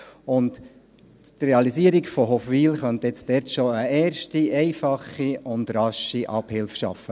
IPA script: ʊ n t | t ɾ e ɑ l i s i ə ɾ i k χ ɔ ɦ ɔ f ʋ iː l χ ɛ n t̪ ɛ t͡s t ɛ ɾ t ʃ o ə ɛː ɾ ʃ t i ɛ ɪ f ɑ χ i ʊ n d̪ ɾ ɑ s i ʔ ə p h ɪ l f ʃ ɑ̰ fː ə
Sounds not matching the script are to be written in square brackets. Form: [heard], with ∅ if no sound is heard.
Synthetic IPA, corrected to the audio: ʊ n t | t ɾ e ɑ l i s i ə ɾ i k [f] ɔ ɦ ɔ f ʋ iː l χ [œ] n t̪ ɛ t͡s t ɛ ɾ t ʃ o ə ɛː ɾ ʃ t i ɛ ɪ f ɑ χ i ʊ n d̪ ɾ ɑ [ʃ] i ʔ [ɑ] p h ɪ l f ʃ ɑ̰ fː ə